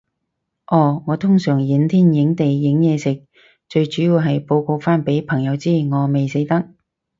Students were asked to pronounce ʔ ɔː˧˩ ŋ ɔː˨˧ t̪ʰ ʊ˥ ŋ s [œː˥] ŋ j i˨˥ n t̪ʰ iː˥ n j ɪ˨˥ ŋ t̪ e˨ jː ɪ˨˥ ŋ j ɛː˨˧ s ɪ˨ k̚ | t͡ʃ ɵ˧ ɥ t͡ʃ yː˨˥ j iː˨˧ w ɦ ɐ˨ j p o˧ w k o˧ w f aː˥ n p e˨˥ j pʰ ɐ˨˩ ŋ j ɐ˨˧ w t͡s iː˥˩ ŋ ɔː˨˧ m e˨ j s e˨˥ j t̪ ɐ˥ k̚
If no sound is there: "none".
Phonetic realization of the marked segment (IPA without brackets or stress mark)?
œː˨˩